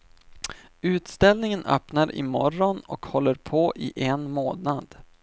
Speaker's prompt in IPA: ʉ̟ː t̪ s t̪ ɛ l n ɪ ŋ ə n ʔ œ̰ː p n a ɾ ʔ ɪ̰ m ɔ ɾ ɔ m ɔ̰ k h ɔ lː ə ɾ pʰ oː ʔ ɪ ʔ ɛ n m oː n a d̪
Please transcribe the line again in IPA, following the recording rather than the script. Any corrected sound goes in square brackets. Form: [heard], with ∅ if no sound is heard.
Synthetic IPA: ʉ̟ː t̪ s t̪ ɛ l n ɪ ŋ ə n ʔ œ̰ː p n a ɾ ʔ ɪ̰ m ɔ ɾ ɔ [n] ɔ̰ k h ɔ lː ə ɾ pʰ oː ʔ ɪ ʔ ɛ n m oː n a d̪